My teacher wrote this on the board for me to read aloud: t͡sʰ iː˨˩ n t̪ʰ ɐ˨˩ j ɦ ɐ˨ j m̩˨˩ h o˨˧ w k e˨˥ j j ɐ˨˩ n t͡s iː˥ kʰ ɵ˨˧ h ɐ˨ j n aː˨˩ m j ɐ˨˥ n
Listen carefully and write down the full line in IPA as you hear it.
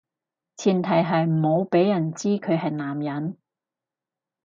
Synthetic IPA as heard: t͡sʰ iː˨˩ n t̪ʰ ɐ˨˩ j ɦ ɐ˨ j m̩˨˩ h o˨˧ w p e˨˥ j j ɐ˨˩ n t͡s iː˥ kʰ ɵ˨˧ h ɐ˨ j n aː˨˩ m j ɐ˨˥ n